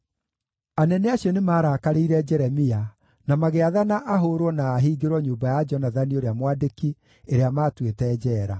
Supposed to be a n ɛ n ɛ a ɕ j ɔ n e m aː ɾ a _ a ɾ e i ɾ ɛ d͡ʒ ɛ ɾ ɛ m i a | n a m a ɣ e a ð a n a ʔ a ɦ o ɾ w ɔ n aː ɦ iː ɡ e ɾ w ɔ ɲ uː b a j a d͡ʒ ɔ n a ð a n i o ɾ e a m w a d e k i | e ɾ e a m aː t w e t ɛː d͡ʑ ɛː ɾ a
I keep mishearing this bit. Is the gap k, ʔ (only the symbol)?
k